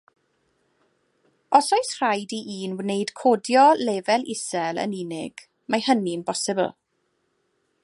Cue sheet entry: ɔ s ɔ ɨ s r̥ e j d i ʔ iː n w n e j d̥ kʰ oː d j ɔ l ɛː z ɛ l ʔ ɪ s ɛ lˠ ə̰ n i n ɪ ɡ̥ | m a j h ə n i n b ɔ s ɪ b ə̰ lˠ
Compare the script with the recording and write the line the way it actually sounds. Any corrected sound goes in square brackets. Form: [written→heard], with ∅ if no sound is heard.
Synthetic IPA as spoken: ɔ s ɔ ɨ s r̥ [e→a] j d i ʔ iː n w n e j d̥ kʰ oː d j ɔ l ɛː [z→v] ɛ l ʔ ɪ s ɛ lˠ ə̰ n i n ɪ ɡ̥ | m a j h ə n i n b ɔ s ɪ b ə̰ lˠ